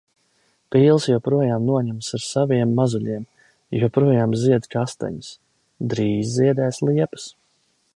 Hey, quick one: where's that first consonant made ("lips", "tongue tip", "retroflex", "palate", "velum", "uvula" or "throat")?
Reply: lips